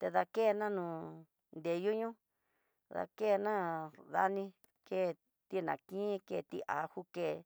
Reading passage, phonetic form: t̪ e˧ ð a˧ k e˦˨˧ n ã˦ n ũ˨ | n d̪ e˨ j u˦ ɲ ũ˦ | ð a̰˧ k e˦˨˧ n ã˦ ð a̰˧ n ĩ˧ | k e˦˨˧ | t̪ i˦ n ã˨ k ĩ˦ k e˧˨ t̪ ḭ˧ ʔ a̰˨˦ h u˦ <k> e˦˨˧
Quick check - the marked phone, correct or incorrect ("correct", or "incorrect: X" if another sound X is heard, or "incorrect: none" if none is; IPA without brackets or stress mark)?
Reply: correct